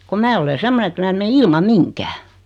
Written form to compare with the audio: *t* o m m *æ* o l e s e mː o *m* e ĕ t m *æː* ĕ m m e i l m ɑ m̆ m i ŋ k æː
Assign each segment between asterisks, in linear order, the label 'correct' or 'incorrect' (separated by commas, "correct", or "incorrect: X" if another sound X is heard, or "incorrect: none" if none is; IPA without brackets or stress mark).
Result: incorrect: k, incorrect: æː, incorrect: n, correct